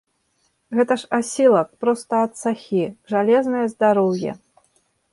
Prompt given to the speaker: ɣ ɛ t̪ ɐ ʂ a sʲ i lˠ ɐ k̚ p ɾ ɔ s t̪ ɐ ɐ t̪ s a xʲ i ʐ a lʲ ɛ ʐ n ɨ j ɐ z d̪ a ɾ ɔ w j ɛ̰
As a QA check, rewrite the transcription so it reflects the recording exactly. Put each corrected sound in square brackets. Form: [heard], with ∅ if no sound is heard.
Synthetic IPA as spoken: ɣ ɛ t̪ ɐ ʂ a sʲ i lˠ ɐ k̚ p ɾ ɔ s t̪ ɐ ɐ t̪ s a xʲ i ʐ a lʲ ɛ [z] n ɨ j ɐ z d̪ a ɾ ɔ w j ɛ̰